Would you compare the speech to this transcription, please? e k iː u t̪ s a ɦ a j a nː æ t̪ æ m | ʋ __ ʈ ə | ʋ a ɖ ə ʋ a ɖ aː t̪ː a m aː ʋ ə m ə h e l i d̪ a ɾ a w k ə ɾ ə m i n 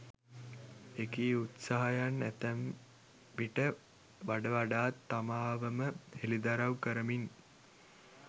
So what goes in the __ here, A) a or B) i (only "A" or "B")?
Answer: B